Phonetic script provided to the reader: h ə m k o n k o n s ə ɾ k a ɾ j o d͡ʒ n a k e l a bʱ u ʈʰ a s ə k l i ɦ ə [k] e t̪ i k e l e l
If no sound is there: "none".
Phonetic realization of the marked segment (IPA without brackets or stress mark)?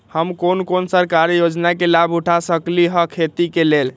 kʰ